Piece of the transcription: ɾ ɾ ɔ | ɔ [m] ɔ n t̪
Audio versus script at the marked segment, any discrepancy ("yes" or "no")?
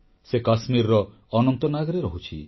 yes